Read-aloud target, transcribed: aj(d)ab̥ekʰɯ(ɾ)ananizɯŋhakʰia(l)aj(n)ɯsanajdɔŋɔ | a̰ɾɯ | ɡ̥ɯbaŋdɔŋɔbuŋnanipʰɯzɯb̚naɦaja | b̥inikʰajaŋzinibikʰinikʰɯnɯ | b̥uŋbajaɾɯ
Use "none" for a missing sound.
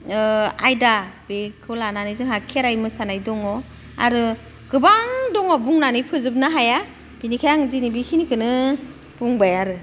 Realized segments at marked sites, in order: d, l, ɾ, m

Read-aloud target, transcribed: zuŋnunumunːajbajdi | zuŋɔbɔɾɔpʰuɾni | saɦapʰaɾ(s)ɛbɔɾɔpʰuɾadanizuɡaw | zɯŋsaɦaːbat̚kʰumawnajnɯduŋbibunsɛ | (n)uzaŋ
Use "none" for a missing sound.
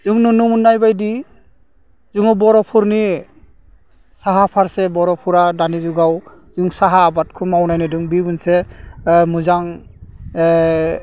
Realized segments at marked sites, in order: s, m

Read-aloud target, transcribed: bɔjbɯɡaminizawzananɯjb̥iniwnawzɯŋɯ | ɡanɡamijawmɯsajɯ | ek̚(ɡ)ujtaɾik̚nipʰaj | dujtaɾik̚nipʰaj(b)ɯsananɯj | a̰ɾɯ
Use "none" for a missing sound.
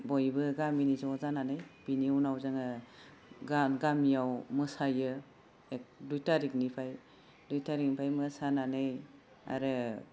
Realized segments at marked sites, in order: d, m

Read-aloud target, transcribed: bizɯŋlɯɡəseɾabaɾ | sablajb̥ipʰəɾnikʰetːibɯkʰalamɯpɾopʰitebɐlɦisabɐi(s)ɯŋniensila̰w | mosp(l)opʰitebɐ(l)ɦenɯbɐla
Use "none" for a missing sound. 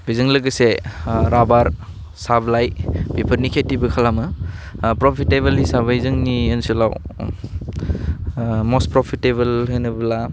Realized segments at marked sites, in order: z, ɾ, l

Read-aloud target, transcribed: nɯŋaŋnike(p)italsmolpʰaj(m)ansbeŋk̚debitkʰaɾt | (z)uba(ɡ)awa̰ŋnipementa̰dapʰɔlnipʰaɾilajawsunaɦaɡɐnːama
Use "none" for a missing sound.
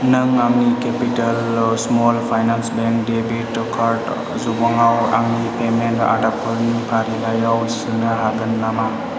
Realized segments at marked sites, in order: p, n, z, ŋ

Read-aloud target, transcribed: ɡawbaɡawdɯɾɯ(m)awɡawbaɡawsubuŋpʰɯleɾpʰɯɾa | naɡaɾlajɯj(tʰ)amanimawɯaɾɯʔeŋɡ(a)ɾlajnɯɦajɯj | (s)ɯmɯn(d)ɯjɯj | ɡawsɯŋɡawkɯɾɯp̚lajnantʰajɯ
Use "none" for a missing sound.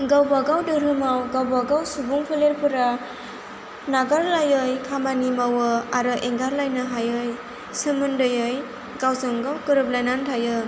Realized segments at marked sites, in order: m, kʰ, a, s, d

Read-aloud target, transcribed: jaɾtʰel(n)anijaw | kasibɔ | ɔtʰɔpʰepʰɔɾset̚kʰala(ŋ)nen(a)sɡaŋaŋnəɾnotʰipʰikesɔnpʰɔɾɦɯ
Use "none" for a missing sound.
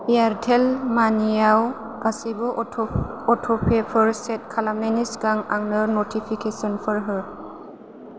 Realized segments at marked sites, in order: m, m, i

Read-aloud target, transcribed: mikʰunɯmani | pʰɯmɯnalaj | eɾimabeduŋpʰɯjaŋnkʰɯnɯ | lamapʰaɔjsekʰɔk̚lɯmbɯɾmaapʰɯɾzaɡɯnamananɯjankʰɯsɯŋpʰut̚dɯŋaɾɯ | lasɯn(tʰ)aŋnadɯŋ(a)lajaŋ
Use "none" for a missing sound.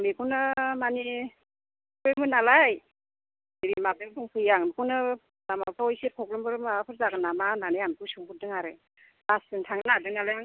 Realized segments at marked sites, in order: tʰ, a

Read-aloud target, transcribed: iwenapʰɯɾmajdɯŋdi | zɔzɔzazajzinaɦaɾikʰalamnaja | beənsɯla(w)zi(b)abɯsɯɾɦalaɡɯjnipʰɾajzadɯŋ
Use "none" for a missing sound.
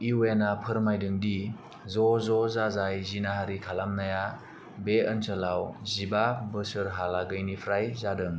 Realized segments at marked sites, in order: w, b

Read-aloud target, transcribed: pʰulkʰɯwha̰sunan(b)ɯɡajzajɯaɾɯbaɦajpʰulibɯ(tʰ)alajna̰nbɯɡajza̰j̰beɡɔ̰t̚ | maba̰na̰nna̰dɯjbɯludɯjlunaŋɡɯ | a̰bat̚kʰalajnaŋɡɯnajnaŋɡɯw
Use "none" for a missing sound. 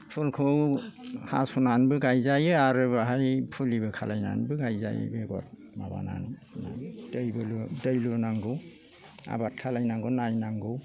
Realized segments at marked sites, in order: b, kʰ

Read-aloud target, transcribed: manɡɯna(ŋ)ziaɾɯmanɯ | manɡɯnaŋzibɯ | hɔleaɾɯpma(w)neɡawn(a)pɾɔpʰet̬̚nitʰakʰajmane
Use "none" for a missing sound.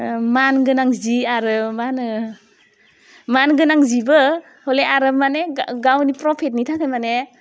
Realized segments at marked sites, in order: ŋ, none, i

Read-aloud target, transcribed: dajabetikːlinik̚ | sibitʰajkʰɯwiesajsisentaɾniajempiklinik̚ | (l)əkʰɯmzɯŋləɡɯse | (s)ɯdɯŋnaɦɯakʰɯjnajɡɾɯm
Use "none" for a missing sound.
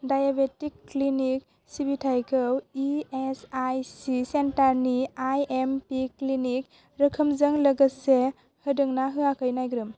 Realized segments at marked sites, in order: ɾ, h

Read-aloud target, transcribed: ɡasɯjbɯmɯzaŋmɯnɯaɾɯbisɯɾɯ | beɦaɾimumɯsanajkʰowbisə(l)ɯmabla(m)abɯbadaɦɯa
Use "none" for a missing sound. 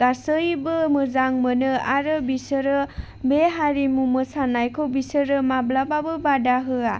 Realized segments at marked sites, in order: ɾ, b

